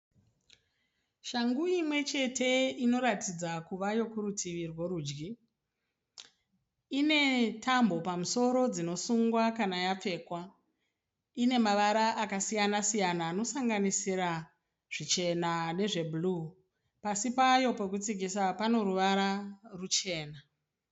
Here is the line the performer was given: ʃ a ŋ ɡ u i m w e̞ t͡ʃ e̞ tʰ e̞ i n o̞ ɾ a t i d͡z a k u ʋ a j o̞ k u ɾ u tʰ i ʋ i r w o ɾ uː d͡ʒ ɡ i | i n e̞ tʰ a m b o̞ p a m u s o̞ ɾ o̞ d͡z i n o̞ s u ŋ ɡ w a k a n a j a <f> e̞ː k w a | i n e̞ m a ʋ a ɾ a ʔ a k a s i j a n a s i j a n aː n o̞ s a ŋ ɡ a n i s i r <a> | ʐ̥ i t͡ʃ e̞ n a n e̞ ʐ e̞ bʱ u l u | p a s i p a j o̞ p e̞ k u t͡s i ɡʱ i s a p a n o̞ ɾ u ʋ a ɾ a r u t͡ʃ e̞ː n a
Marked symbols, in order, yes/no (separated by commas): no, yes